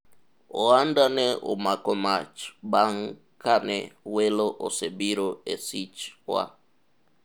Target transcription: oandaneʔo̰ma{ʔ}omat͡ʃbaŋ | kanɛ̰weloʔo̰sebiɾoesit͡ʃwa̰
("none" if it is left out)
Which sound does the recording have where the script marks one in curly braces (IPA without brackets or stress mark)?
k